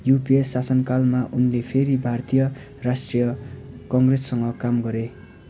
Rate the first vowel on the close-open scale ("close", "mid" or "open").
close